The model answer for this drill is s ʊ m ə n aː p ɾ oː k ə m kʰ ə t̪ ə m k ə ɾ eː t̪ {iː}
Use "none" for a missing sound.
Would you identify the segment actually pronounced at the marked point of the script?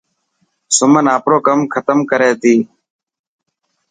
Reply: iː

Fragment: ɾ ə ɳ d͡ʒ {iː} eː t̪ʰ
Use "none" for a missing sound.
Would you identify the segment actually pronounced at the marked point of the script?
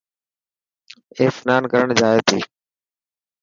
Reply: aː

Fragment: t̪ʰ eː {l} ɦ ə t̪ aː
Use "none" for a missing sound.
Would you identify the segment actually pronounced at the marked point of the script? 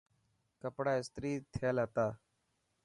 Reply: l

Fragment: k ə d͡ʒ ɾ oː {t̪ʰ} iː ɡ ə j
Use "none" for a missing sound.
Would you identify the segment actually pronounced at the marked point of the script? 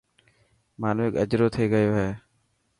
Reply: t̪ʰ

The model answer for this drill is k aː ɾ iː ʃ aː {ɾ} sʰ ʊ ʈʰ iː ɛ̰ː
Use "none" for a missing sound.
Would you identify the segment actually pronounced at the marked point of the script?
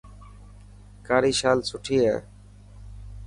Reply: l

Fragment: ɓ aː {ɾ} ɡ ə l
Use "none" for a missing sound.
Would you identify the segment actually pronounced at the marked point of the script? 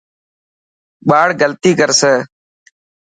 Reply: ɽ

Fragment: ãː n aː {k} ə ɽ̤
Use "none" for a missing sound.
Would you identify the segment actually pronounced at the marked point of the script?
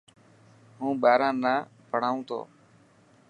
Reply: p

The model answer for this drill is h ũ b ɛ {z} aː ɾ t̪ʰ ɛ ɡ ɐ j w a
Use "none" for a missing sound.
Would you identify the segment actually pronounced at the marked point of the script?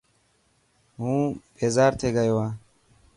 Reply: z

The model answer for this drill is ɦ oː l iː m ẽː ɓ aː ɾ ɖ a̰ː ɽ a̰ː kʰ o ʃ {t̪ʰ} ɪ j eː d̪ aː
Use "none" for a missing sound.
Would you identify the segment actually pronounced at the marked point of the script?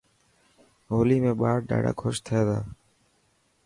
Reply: t̪ʰ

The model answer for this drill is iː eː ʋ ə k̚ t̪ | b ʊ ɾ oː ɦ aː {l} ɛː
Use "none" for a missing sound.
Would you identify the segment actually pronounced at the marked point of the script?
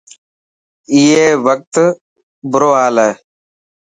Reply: l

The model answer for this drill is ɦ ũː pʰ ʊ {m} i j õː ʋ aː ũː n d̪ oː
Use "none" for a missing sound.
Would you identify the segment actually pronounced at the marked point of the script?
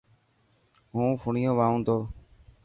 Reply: ɳ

